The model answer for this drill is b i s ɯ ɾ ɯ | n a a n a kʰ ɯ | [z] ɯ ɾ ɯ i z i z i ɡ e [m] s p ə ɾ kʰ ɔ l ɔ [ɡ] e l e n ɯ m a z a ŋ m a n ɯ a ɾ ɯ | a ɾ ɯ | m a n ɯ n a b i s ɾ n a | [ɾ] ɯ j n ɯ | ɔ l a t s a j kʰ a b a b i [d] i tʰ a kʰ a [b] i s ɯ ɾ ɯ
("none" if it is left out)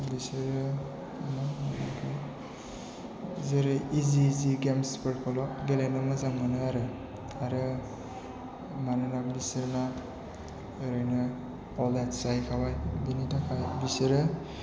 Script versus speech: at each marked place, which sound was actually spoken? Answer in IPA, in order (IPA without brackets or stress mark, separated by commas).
z, m, ɡ, ɾ, n, b